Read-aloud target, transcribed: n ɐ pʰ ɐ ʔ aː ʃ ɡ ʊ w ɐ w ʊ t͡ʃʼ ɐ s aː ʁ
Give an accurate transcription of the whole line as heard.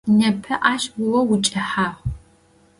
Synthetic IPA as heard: n ɐ pʰ ɐ ʔ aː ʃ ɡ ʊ w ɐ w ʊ t͡ʃʼ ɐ ħ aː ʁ